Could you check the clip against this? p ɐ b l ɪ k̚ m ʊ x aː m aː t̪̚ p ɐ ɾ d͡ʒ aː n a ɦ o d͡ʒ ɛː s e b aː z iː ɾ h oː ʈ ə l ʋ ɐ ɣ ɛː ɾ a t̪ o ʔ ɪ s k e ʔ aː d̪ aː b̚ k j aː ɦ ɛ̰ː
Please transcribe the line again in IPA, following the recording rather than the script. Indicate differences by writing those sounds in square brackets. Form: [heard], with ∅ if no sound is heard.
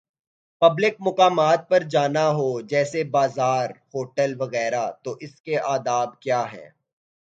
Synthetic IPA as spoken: p ɐ b l ɪ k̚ m ʊ [k] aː m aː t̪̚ p ɐ ɾ d͡ʒ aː n a ɦ o d͡ʒ ɛː s e b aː z [aː] ɾ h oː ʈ ə l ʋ ɐ ɣ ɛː ɾ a t̪ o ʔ ɪ s k e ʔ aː d̪ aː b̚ k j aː ɦ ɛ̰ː